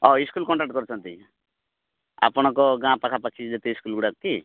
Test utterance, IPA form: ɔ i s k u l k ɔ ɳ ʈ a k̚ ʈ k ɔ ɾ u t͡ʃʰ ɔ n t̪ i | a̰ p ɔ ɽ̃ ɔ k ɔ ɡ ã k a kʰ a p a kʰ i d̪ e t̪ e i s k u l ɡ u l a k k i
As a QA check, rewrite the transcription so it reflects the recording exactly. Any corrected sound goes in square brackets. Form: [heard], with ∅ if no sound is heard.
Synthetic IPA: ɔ i s k u l k ɔ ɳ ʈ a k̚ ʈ k ɔ ɾ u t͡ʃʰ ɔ n t̪ i | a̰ p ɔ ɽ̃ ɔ k ɔ ɡ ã [p] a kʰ a p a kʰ i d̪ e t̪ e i s k u l ɡ u [ɽ] a k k i